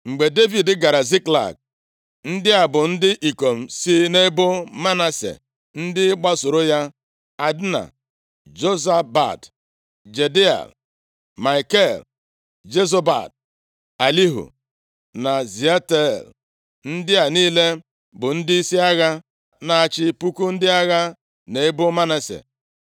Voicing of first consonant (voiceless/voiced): voiced